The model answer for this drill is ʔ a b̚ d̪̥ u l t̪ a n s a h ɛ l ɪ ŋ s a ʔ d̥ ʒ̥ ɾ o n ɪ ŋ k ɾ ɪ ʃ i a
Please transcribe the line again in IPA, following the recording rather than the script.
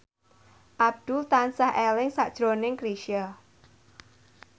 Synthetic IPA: ʔ a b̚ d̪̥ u l t̪ a n s a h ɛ l ɪ ŋ s a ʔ d̥ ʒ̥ ɾ o n ɪ ŋ k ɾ i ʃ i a